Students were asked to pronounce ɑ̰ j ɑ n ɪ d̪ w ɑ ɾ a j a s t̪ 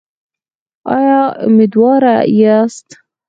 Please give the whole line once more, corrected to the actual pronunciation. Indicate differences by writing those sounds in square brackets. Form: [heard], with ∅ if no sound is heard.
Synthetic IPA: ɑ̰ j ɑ [m] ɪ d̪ w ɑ ɾ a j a s t̪